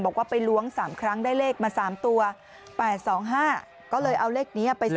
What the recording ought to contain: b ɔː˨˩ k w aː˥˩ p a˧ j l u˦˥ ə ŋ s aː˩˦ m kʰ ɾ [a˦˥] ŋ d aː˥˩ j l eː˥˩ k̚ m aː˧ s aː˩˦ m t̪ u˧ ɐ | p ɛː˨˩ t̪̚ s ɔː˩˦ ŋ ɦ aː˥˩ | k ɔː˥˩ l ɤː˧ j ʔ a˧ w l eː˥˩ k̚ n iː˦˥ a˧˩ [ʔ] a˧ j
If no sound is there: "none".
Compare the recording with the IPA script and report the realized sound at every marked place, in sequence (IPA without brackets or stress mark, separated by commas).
a˦˥, p